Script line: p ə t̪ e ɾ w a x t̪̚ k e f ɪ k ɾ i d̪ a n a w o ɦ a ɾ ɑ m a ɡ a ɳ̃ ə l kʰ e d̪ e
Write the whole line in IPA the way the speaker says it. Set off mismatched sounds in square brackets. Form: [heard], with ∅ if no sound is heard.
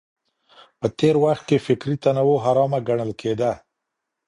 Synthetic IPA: p ə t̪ e ɾ w a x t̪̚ k e f ɪ k ɾ i [t̪] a n a w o ɦ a ɾ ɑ m a ɡ a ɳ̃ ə l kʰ e d̪ [a]